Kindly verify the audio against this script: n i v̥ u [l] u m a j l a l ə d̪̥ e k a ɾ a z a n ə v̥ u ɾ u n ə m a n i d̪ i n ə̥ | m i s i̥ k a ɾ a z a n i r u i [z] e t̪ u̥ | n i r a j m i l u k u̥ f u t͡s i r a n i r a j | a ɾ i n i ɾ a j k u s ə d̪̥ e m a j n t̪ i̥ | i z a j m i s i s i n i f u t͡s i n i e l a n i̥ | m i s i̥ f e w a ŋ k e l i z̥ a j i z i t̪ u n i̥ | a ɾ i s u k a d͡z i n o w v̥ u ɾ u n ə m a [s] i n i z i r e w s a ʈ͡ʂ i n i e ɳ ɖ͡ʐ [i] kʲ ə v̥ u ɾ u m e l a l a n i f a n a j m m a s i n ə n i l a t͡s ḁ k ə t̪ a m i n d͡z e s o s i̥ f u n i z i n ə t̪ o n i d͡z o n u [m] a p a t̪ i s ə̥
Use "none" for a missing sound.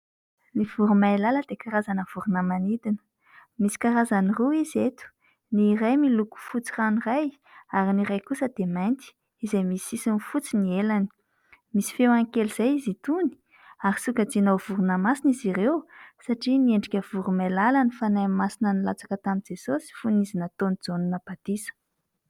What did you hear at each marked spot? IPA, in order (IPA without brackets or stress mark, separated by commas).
ɾ, z, s, i, n